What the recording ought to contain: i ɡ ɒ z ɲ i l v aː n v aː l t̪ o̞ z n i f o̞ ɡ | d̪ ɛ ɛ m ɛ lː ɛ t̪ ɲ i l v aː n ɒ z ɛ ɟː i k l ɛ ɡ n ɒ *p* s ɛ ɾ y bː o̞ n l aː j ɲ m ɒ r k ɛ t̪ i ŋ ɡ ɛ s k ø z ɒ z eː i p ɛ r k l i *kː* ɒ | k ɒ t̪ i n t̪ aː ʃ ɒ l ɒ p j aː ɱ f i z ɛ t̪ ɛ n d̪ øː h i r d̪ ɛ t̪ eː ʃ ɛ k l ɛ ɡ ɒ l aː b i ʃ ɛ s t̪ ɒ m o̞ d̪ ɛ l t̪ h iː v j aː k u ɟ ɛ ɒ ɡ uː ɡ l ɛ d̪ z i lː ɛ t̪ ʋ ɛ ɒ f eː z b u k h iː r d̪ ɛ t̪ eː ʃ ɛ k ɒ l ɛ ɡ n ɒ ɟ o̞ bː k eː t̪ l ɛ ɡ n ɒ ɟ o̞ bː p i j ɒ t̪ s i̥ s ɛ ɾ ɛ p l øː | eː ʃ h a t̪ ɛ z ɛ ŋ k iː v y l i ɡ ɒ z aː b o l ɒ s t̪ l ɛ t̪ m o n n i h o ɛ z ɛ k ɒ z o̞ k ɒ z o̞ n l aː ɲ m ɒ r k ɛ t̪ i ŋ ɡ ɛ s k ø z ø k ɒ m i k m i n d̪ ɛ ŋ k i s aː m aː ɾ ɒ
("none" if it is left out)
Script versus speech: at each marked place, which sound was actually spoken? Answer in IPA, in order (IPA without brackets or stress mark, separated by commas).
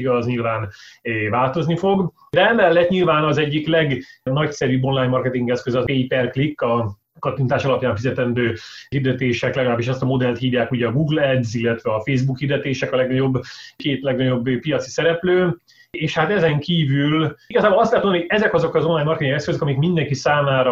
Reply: c, kː